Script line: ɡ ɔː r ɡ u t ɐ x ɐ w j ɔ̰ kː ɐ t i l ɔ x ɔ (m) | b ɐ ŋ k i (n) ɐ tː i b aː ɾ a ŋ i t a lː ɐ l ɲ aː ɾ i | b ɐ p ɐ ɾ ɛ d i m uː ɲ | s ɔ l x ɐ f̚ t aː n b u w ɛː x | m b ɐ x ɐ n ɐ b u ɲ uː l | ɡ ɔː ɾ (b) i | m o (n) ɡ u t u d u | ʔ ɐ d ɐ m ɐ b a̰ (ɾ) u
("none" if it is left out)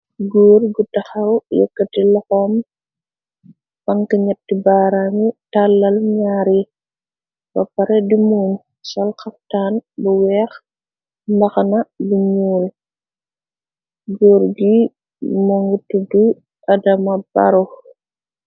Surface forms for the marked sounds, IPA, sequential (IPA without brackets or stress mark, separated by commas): m, ɲ, ɡ, ŋ, ɾ